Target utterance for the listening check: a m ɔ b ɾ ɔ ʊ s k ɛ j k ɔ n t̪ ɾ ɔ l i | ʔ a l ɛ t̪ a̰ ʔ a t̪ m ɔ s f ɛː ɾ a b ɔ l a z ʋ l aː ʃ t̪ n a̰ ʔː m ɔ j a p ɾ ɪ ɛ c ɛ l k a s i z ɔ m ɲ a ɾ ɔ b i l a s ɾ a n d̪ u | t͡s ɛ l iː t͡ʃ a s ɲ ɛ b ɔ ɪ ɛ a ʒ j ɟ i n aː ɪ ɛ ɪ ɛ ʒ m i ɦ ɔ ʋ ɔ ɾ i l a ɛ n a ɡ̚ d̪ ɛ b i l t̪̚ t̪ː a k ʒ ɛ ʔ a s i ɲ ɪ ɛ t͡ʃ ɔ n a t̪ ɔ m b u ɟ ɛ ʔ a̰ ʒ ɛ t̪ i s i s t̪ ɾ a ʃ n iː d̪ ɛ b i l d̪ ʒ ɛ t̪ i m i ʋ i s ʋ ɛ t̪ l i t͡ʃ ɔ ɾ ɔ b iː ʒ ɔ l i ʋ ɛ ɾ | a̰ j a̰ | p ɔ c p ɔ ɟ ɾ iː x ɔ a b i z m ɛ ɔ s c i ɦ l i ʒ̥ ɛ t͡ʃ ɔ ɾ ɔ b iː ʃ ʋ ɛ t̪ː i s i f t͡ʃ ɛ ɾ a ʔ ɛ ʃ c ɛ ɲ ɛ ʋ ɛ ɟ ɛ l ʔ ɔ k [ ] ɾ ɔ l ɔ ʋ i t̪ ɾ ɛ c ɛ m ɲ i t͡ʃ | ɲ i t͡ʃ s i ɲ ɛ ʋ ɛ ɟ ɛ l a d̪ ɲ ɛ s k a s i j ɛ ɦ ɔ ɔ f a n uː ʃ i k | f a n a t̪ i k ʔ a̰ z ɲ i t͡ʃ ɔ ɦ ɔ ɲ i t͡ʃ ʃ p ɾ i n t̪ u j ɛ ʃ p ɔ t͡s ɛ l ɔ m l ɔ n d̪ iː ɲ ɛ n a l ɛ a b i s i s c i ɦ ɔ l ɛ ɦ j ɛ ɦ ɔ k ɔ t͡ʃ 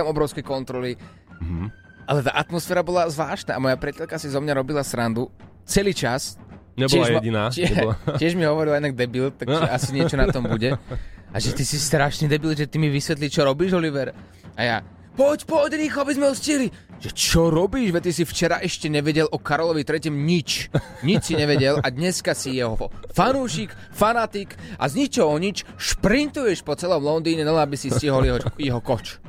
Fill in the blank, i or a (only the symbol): a